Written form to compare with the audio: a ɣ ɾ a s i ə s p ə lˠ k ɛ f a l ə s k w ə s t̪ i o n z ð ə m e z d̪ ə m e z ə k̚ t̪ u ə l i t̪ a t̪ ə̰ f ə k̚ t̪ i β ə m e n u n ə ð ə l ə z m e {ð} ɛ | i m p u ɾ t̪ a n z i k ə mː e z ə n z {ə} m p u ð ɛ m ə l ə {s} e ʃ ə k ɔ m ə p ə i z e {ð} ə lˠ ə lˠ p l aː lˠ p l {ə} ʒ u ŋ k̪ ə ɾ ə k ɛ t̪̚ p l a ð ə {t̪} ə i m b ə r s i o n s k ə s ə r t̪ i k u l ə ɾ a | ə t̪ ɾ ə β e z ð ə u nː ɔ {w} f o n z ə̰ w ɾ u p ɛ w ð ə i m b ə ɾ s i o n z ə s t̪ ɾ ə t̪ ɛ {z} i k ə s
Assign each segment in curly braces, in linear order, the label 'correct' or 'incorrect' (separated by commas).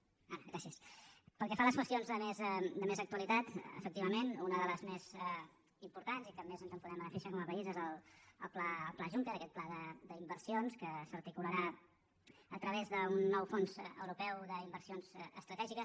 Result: incorrect, correct, incorrect, incorrect, incorrect, incorrect, correct, incorrect